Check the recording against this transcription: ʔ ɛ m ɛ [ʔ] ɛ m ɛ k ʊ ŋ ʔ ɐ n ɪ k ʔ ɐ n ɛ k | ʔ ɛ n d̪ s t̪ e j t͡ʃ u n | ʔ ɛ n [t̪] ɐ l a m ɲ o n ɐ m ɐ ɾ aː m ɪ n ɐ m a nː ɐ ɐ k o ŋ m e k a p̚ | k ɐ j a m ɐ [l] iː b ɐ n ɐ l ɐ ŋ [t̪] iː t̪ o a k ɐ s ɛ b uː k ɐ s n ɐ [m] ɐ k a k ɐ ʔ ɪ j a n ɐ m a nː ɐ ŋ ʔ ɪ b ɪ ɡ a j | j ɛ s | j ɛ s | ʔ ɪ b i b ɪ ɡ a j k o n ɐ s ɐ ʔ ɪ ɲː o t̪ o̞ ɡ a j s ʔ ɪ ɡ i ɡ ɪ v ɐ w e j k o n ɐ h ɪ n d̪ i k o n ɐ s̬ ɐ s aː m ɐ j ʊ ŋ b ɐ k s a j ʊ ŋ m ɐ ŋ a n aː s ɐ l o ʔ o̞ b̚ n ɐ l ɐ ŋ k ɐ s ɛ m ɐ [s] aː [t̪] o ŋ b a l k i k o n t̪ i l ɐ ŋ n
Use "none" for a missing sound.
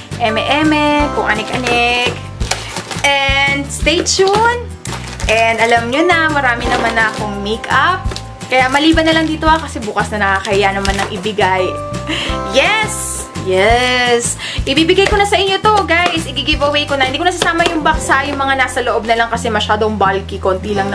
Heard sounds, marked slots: ʔ, d̪, l, d̪, n, ʃ, d̪

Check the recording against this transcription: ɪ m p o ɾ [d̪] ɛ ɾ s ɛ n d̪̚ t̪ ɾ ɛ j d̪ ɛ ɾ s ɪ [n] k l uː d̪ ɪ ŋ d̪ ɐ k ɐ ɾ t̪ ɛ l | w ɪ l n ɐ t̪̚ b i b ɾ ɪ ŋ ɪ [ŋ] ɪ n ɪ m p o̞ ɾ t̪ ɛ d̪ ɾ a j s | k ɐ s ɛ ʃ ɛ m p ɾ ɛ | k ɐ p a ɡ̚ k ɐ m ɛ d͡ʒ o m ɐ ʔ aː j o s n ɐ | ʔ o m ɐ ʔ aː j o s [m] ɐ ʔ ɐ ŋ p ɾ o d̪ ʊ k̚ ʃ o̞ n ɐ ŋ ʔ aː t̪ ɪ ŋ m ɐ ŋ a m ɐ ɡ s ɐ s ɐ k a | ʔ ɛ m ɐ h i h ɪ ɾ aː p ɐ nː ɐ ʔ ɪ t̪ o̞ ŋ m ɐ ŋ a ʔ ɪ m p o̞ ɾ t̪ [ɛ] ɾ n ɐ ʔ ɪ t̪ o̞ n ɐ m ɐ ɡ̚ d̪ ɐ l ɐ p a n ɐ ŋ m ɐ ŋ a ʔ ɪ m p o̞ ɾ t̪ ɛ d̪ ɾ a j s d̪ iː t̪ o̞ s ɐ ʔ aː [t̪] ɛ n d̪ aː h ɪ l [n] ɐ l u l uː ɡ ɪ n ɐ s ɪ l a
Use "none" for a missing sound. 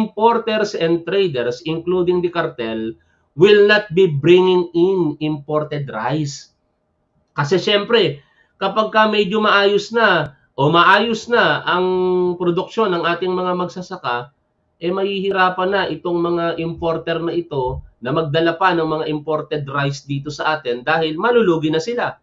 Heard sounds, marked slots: t̪, ŋ, ŋ, n, ɛ, t̪, m

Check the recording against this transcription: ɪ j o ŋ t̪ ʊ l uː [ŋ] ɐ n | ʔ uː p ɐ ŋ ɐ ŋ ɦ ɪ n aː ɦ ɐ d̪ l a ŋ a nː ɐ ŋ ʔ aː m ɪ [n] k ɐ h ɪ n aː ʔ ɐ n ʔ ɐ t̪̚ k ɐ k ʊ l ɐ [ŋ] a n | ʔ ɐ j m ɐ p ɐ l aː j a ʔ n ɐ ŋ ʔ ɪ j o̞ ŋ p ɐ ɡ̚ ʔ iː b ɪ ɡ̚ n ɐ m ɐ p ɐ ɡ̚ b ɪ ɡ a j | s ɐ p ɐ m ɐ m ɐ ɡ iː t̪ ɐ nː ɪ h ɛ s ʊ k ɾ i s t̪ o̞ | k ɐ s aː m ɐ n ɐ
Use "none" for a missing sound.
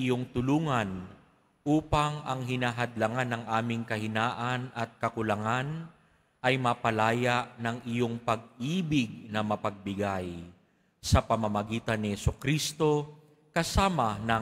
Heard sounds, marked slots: ŋ, ŋ, ŋ

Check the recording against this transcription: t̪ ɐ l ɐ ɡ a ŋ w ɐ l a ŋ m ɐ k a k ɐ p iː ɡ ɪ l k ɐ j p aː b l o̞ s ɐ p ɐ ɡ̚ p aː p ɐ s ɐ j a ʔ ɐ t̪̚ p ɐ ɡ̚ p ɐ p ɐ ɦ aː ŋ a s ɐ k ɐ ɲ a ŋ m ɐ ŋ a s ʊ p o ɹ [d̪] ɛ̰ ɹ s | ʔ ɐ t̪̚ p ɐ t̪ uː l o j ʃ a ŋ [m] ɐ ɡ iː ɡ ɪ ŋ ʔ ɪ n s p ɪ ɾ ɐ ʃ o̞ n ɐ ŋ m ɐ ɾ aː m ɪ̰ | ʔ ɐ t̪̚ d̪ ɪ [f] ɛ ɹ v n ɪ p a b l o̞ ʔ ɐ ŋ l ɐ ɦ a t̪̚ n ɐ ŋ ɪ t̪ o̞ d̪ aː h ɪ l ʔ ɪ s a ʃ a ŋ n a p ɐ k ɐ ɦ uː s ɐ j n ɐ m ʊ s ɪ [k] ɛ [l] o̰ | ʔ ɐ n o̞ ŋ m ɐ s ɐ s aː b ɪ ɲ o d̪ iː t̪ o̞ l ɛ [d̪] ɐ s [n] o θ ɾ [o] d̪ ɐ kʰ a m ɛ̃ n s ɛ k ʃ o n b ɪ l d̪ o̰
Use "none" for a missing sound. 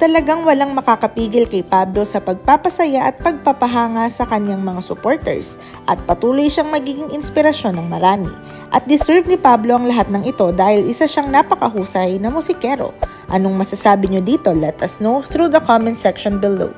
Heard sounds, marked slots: t̪, m, s, k, ɾ, t̪, n, u

